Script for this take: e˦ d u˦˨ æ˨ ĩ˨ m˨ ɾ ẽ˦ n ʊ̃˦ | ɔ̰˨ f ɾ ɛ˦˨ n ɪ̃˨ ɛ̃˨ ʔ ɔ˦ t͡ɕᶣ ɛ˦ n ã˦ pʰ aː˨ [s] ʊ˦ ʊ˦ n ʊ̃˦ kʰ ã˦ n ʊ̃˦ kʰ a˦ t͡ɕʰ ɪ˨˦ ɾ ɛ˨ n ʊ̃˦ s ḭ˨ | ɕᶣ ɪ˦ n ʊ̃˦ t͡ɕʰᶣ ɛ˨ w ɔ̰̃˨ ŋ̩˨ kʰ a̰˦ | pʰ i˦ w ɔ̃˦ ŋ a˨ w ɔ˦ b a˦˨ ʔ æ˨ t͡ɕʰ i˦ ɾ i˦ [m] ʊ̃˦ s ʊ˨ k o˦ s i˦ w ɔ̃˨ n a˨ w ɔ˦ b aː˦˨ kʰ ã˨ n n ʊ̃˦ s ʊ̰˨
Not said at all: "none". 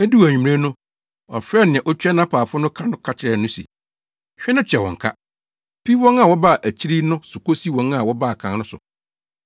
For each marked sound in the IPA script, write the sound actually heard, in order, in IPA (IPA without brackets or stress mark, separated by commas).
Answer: f, n